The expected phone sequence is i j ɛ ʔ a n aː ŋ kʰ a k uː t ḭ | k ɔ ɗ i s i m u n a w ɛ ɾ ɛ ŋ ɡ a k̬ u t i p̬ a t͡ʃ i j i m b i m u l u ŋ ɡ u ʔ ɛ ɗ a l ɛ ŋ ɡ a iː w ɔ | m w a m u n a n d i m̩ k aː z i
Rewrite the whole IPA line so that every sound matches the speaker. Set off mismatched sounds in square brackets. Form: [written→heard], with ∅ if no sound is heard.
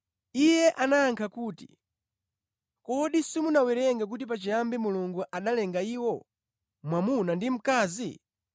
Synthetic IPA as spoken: i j ɛ ʔ a n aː ŋ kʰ a k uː t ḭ | k ɔ ɗ i s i m u n a w ɛ ɾ ɛ ŋ ɡ a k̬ u t i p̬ a t͡ʃ i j [i→a] m b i m u l u ŋ ɡ u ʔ [ɛ→a] ɗ a l ɛ ŋ ɡ a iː w ɔ | m w a m u n a n d i m̩ k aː z i